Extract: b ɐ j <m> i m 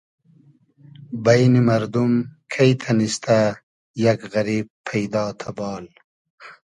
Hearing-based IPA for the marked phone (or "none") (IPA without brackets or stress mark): n